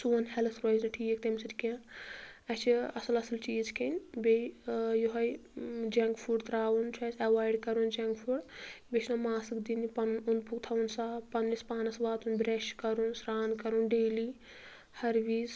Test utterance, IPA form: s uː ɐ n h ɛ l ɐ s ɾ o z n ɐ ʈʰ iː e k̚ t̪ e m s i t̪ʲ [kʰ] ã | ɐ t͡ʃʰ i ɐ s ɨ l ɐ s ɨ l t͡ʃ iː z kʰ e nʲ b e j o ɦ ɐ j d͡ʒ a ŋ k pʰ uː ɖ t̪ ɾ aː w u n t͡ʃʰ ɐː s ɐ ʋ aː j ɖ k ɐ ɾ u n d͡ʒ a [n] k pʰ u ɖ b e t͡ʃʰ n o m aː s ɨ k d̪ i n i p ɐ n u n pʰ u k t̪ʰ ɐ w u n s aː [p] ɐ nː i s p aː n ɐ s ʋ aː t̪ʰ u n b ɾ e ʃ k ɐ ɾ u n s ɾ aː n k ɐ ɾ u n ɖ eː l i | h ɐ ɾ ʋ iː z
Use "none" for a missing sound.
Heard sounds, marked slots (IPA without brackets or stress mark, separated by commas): k, ŋ, p